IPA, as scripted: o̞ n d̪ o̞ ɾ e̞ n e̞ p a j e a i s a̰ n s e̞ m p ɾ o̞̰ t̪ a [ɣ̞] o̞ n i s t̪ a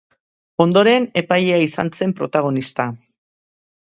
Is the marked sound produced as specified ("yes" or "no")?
yes